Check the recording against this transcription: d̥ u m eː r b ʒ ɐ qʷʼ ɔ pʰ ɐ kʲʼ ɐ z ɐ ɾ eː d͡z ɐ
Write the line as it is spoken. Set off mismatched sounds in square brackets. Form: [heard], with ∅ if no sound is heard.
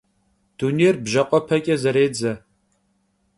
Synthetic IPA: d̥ u [n] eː r b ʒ ɐ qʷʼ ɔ pʰ ɐ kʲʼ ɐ z ɐ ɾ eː d͡z ɐ